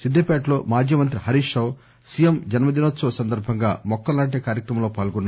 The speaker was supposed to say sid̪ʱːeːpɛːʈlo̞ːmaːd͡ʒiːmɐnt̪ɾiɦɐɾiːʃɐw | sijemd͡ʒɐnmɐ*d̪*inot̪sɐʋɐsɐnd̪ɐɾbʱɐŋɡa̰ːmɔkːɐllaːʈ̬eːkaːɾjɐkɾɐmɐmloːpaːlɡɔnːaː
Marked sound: correct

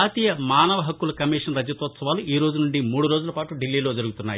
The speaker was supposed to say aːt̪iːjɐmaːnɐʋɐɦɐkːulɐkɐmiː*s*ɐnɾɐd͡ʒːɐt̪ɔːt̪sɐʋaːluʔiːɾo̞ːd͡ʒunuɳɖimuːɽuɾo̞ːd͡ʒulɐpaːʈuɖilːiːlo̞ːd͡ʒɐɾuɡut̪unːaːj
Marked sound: incorrect: ʂ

